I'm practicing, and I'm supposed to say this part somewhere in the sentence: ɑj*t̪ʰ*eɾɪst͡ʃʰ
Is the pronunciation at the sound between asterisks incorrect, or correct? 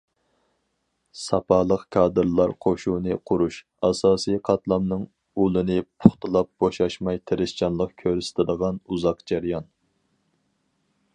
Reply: correct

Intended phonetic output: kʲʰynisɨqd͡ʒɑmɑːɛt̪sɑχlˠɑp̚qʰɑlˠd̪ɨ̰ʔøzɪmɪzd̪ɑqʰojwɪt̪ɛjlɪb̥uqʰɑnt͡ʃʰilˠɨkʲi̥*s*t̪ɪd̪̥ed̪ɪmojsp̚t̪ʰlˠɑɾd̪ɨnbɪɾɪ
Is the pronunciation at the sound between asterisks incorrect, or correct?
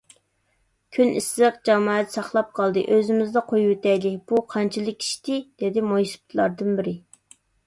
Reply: incorrect: ʃ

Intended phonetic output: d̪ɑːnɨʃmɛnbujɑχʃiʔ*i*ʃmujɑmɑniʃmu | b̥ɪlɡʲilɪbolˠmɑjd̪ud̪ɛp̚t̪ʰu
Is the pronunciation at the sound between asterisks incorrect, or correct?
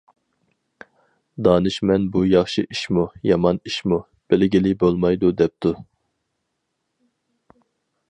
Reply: correct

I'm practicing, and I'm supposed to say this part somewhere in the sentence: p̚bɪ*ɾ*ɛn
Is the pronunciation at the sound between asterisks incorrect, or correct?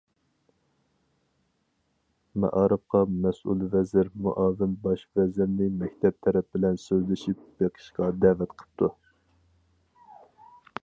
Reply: incorrect: l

